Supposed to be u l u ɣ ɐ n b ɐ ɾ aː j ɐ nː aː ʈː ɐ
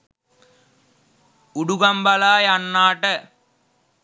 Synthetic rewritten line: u ɽ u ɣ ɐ m b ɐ l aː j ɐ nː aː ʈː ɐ